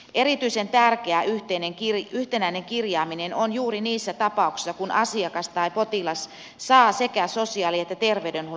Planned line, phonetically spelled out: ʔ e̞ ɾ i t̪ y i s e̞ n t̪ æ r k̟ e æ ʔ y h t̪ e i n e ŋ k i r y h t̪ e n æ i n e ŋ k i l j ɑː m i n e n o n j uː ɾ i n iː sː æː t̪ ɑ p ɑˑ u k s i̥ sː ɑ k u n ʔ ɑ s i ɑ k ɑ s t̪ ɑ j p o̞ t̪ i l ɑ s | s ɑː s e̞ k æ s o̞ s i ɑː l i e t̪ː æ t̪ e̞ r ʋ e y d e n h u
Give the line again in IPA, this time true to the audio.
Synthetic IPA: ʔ e̞ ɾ i t̪ y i s e̞ n t̪ æ r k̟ e æ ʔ y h t̪ e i n e ŋ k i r y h t̪ e n æ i n e ŋ k i r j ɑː m i n e n o n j uː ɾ i n iː sː æ t̪ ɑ p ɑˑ u k s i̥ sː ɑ k u n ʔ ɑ s i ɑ k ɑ s t̪ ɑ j p o̞ t̪ i l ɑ s | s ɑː s e̞ k æ s o̞ s i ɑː l i e t̪ː æ t̪ e̞ r ʋ e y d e n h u